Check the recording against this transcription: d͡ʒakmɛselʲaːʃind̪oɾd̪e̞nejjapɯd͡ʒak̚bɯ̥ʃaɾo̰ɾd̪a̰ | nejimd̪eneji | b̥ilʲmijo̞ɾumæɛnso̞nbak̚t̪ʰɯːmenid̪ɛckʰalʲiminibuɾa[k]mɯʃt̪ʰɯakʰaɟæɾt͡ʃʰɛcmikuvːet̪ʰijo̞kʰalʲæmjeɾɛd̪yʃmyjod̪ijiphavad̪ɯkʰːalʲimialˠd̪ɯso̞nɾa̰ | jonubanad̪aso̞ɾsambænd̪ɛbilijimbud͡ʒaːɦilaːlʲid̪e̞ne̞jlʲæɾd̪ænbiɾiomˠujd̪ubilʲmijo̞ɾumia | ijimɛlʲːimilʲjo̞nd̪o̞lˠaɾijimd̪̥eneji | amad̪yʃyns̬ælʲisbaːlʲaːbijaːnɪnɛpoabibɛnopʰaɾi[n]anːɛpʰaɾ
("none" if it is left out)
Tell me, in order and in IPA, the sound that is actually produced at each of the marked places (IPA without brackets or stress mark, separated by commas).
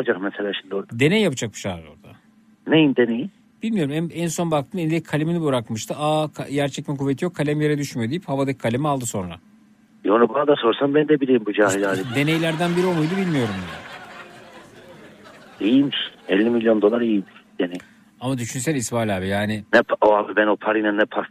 k, n